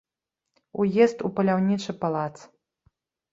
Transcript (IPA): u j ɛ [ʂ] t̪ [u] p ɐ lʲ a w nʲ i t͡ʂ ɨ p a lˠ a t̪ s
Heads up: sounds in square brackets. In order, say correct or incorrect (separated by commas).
incorrect, correct